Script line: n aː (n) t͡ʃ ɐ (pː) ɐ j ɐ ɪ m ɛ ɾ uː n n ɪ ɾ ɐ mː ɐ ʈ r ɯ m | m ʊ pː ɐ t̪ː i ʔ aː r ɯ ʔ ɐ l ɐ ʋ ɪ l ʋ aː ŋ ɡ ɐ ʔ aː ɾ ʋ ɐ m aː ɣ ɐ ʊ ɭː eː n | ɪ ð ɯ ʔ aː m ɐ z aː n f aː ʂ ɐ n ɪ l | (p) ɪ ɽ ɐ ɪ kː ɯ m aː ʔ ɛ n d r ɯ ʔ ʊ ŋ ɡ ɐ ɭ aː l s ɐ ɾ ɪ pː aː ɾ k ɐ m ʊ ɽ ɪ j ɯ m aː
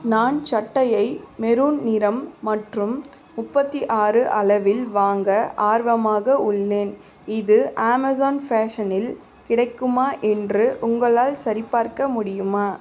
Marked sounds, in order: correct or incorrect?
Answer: correct, incorrect, incorrect

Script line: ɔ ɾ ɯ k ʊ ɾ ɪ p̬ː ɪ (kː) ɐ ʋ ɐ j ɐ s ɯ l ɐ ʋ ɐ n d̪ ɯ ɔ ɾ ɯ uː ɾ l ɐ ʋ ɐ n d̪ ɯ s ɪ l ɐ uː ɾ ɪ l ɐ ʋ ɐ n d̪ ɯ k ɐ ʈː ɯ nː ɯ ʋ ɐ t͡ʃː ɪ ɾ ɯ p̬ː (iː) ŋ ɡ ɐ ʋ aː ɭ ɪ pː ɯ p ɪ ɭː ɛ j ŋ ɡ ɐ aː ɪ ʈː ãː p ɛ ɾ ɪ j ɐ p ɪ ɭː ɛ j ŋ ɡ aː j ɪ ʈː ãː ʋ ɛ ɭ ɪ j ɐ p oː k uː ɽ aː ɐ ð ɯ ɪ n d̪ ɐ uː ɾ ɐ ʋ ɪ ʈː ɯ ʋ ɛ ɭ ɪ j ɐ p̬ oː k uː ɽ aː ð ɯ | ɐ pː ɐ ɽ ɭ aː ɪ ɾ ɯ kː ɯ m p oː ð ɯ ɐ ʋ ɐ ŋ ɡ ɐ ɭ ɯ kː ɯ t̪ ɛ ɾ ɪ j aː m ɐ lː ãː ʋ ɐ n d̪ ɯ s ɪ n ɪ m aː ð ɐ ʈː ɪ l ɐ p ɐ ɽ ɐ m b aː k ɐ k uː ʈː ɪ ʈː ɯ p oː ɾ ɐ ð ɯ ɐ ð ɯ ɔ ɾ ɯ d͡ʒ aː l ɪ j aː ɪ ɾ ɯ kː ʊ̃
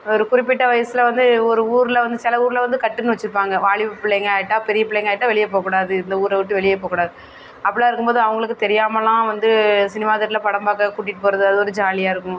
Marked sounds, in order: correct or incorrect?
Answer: incorrect, incorrect

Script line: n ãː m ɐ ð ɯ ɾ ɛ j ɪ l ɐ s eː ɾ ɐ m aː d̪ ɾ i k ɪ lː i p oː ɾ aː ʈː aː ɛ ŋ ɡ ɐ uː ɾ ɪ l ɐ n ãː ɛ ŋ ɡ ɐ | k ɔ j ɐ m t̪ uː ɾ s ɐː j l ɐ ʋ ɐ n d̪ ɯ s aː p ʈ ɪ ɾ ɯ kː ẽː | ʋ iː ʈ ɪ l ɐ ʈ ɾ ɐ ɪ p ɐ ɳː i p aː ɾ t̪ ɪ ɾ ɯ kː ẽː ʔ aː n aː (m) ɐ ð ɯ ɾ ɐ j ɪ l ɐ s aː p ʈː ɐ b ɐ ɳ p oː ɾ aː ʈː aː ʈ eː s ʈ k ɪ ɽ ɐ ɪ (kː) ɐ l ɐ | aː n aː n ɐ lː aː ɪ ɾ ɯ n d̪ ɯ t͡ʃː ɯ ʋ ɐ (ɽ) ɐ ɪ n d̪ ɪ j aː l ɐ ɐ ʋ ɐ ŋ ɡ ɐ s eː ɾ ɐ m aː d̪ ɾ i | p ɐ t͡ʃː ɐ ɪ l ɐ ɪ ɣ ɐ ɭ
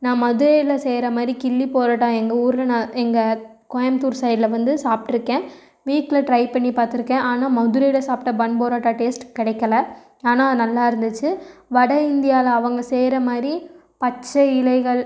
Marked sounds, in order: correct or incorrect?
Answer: correct, correct, correct

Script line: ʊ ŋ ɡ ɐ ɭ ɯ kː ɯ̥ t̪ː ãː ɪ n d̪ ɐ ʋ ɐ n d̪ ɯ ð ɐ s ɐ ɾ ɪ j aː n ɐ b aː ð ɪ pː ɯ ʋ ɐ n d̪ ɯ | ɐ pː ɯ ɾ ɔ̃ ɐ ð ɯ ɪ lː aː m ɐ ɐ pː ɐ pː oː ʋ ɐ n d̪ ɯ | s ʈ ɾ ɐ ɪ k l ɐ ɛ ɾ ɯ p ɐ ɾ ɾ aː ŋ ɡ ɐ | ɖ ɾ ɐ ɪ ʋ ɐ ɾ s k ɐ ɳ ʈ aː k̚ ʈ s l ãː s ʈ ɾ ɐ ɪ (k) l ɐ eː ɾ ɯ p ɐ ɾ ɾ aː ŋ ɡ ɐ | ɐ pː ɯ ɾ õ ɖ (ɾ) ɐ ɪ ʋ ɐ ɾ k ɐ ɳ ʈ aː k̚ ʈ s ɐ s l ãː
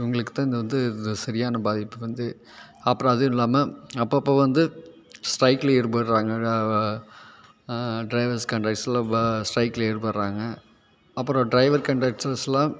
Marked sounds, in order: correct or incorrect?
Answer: correct, correct

